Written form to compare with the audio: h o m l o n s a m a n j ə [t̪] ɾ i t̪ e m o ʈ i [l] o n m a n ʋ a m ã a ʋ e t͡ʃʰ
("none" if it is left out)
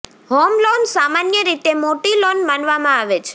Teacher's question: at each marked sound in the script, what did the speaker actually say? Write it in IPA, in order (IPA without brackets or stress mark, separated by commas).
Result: none, l